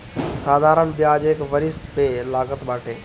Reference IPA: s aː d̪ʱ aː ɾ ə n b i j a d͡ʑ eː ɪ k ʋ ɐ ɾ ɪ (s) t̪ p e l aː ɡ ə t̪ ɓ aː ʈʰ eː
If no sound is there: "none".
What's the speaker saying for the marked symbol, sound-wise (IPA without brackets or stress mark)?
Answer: s